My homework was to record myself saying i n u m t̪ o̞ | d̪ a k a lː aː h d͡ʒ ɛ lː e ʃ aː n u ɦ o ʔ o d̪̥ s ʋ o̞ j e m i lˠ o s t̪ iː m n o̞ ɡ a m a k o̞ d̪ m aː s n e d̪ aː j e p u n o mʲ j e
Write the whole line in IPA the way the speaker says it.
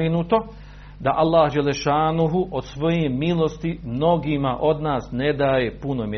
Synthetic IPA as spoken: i n u t̪ o̞ | d̪ a ʔ a lː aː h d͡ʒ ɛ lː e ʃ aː n u ɦ u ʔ o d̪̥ s ʋ o̞ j e m i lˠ o s t̪ i m n o̞ ɡ i m a ʔ o̞ d̪ n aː s n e d̪ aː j e p u n o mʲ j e